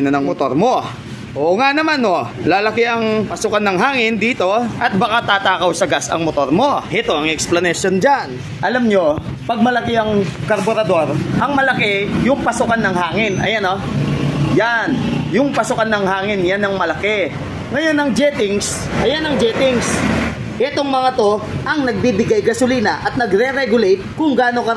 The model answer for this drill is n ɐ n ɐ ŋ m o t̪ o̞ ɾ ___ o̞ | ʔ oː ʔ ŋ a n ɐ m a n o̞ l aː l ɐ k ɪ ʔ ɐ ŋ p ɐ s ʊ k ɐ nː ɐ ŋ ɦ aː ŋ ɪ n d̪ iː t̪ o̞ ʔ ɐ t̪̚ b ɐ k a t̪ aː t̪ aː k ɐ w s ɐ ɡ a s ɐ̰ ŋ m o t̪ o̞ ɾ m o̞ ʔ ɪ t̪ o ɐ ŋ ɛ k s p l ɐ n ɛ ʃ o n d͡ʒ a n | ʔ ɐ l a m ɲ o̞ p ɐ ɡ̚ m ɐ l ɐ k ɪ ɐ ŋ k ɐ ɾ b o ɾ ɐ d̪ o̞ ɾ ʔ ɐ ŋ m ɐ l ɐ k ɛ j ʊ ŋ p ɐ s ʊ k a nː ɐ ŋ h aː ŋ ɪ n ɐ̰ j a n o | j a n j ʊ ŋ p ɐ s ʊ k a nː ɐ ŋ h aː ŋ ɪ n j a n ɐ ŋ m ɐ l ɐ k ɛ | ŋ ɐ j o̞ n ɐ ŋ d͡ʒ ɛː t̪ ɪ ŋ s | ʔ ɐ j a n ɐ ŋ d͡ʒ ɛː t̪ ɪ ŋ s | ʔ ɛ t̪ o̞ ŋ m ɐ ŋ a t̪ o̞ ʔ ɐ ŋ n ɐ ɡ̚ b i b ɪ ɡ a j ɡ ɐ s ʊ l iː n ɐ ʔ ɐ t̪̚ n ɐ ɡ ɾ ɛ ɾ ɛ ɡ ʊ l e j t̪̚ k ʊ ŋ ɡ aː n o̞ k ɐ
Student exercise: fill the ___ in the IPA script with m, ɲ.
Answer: m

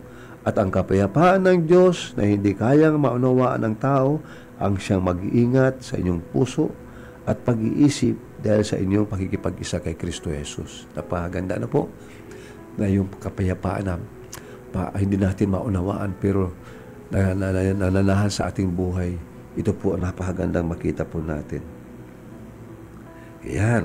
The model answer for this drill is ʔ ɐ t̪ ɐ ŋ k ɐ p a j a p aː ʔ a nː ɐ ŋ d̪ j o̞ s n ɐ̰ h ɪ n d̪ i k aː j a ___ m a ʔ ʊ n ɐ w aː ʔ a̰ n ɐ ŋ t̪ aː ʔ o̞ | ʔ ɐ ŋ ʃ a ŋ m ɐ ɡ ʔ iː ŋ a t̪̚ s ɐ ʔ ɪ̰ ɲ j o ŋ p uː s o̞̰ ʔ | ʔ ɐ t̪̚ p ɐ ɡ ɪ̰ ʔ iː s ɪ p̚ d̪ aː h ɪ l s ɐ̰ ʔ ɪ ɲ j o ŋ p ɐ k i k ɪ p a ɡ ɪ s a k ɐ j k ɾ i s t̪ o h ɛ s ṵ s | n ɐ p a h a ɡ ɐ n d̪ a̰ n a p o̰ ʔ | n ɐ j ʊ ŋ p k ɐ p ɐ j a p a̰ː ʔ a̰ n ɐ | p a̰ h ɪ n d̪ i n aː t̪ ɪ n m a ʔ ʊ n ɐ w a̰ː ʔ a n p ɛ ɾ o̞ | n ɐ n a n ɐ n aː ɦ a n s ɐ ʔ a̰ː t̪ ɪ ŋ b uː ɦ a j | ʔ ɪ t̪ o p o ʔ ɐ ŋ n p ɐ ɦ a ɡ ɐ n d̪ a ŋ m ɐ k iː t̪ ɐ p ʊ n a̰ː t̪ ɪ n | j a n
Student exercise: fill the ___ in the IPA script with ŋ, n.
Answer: ŋ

